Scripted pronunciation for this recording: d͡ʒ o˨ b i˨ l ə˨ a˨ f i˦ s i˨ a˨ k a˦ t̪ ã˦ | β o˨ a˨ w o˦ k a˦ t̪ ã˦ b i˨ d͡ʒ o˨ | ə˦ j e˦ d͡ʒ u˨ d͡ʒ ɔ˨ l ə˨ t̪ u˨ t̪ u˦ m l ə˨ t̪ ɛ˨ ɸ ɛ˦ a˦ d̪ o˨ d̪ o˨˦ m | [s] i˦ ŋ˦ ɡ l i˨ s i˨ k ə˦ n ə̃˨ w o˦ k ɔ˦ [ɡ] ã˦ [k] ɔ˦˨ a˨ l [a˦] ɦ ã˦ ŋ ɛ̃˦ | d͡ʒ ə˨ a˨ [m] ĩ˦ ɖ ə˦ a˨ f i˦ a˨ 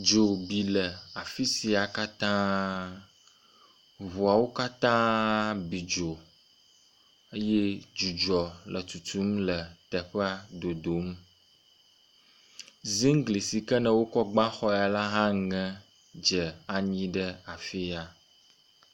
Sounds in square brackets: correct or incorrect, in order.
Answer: incorrect: z, incorrect: ɡ͡b, incorrect: x, correct, incorrect: ɲ

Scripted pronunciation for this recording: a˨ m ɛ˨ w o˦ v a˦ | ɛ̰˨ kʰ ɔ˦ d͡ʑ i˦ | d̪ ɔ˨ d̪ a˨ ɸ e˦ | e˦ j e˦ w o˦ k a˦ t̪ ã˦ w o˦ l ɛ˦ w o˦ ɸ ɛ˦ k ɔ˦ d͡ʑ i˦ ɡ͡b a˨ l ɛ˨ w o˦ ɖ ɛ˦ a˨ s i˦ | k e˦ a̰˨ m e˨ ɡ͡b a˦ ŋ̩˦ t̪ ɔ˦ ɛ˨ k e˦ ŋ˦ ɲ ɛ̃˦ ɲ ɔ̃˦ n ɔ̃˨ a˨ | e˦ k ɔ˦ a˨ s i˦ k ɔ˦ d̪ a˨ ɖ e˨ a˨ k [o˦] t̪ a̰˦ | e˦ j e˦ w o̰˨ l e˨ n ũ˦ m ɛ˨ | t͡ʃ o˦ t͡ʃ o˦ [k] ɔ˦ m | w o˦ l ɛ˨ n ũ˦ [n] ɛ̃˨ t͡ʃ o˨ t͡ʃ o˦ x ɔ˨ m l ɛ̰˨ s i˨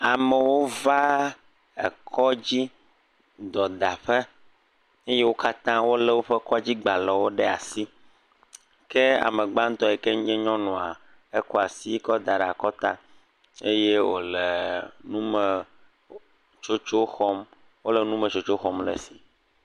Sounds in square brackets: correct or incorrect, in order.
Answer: incorrect: ɔ˦, incorrect: x, incorrect: m

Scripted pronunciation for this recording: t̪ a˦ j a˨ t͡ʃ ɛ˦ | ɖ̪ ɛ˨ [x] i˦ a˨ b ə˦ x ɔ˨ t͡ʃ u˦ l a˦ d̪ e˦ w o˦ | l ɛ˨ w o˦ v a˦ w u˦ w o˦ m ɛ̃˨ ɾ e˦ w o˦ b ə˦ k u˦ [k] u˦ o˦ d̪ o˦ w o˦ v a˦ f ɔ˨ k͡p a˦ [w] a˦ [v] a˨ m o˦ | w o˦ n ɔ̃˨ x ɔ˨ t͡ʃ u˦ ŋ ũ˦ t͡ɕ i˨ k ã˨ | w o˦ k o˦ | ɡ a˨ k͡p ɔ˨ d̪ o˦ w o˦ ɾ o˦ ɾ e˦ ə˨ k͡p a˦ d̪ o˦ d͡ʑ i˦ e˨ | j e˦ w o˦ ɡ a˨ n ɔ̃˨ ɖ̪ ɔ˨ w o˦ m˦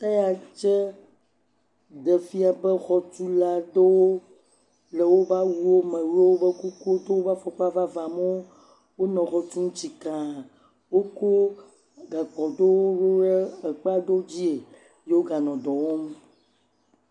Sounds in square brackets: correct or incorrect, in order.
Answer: incorrect: f, correct, incorrect: v, correct

